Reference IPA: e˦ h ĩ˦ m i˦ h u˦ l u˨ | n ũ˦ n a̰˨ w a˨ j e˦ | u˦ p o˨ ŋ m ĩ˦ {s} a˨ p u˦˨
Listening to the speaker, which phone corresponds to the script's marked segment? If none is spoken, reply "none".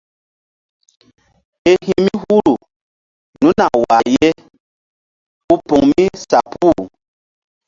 s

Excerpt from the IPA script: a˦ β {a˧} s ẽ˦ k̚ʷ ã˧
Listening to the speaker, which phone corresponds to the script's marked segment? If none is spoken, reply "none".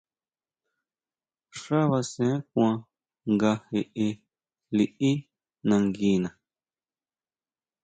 a˧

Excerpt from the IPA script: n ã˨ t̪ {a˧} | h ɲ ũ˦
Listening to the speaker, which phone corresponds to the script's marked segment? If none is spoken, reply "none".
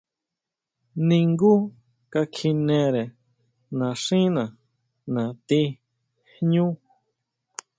i˧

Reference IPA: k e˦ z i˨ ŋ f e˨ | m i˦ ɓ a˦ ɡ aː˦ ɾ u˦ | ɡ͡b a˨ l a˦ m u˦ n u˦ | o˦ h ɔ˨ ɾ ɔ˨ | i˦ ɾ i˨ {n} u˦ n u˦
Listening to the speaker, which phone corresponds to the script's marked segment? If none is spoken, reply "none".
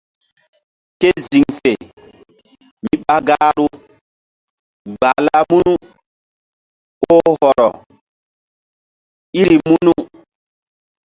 m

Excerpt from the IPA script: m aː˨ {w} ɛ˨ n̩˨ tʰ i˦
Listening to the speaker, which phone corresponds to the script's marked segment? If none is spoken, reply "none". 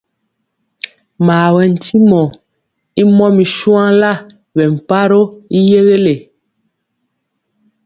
w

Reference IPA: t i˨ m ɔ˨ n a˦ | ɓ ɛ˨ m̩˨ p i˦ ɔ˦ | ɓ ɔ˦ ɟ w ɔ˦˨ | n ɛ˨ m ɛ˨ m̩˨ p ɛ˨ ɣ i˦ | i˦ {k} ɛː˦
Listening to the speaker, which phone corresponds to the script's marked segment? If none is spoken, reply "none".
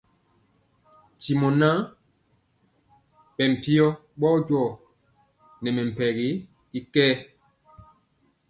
k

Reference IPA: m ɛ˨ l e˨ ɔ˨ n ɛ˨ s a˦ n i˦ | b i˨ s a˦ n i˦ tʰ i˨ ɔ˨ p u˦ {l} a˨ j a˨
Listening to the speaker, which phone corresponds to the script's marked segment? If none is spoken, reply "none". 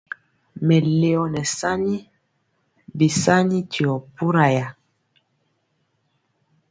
ɾ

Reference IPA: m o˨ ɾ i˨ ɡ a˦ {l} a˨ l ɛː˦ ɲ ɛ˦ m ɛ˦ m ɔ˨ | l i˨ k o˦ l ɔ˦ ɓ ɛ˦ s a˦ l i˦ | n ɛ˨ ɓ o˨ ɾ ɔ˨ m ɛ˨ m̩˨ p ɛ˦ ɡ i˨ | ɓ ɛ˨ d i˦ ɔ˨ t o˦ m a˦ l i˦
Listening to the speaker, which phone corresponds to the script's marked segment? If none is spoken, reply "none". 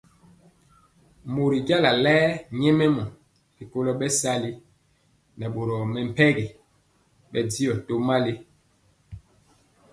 l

